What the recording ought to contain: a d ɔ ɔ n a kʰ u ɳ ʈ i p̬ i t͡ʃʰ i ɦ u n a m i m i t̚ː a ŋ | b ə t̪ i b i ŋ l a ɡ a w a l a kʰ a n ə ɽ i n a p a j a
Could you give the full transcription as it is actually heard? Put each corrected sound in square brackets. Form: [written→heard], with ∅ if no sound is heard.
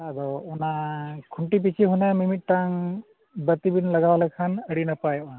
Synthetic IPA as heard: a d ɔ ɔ n a kʰ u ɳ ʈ i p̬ i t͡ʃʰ i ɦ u n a m i m i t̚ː a ŋ | b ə t̪ i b i [ŋ→n] l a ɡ a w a l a kʰ a n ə ɽ i n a p a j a